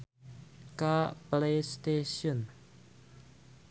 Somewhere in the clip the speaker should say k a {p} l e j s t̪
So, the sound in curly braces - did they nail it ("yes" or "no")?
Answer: yes